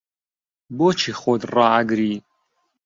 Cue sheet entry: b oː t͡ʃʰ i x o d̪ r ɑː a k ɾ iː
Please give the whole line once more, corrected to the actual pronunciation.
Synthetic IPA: b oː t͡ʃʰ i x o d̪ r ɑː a ɡ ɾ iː